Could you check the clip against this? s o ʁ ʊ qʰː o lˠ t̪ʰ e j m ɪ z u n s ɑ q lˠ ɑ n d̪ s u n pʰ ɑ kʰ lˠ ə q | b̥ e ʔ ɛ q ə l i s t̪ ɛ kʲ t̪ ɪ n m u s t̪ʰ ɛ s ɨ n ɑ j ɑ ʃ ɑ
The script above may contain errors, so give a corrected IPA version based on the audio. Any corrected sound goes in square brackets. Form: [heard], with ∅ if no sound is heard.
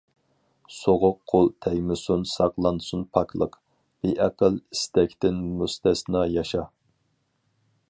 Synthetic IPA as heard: s o ʁ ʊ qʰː o lˠ t̪ʰ [ɛ] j m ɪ [s] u n s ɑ q lˠ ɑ n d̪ s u n pʰ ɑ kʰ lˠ ə q | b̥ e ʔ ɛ q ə l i s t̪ ɛ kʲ t̪ ɪ n m u s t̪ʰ ɛ s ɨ n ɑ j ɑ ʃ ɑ